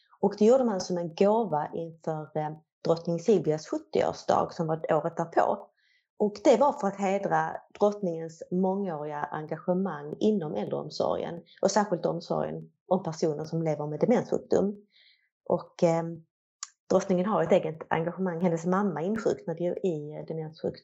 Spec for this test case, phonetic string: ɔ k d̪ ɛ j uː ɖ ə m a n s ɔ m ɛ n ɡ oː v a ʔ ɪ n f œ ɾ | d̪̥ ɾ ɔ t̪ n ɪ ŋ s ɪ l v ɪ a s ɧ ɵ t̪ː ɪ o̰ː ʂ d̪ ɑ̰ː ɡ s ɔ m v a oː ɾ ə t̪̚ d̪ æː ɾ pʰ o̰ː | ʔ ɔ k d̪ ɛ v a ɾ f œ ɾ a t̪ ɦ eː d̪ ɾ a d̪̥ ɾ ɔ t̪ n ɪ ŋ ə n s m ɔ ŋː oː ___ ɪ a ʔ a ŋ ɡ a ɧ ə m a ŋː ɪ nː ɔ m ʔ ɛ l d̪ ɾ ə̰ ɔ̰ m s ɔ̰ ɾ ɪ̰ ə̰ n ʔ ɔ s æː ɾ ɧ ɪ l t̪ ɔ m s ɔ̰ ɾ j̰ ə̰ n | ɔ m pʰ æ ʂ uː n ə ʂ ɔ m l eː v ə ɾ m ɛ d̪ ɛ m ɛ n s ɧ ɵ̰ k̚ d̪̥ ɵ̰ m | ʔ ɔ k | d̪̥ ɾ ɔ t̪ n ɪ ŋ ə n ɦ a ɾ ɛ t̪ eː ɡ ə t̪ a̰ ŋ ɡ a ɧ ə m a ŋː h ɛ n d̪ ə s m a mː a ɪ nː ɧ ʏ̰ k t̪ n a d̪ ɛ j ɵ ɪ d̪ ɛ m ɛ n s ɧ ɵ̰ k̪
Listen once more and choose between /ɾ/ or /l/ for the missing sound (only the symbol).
ɾ